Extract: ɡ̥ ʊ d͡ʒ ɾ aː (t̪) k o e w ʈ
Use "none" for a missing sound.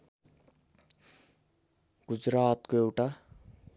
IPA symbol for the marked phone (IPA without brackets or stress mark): t̪